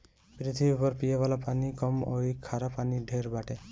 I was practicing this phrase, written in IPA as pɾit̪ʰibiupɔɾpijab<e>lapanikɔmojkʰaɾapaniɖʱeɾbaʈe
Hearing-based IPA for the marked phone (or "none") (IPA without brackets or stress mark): a